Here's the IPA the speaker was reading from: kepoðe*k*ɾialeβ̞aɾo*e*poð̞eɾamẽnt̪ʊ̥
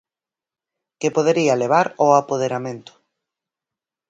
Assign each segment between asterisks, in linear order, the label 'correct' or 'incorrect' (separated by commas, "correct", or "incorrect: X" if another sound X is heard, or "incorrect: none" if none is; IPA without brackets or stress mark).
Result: incorrect: none, incorrect: a